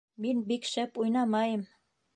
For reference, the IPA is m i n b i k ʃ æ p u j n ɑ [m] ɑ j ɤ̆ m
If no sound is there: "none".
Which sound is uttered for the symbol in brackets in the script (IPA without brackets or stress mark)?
m